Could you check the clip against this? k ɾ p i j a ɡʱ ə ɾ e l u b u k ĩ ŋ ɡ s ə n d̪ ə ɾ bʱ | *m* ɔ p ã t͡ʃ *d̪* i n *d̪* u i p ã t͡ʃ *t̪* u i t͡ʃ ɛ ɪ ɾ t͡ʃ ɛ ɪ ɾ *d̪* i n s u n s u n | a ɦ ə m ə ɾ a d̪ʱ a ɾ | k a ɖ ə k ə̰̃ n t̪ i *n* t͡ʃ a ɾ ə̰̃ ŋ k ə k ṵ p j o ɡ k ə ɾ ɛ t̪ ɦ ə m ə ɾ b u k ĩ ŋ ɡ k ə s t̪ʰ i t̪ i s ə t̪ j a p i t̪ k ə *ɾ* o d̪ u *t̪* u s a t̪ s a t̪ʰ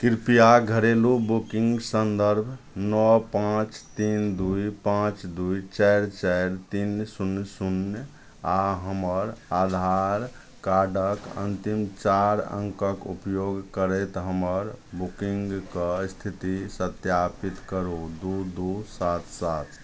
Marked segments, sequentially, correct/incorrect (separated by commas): incorrect, incorrect, correct, incorrect, incorrect, incorrect, correct, incorrect